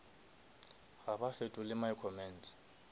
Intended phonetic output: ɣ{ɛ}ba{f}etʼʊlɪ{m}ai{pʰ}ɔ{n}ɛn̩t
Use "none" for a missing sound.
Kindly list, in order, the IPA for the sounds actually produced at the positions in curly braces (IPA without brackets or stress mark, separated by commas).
a, f, m, kʰ, m